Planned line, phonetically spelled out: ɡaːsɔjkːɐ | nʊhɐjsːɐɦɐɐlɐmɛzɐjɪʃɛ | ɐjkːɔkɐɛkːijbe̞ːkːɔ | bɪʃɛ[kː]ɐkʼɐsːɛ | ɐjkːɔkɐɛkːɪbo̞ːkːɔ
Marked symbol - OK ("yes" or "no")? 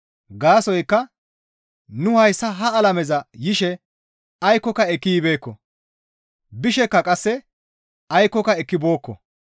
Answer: yes